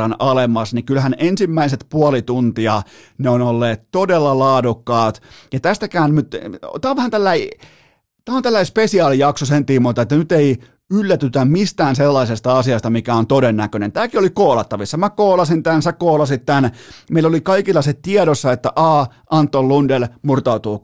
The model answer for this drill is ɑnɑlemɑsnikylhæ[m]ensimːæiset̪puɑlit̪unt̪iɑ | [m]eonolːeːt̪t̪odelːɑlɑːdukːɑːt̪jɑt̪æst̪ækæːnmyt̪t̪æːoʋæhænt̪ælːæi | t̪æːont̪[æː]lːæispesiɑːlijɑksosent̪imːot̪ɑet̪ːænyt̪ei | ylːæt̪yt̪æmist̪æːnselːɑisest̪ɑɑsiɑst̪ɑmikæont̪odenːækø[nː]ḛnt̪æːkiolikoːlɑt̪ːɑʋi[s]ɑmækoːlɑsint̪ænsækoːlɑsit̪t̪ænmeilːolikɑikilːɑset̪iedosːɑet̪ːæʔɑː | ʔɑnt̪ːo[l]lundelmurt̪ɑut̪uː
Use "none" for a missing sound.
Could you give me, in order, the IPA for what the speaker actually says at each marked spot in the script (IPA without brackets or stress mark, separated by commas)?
n, n, æ, n, sː, l